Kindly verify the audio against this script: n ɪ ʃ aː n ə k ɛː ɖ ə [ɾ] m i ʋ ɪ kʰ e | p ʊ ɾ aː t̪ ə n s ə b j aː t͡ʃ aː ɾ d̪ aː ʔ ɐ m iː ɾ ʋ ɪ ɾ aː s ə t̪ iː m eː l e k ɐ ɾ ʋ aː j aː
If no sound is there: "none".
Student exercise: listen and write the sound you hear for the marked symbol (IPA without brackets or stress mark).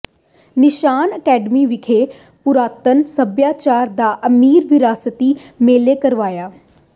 none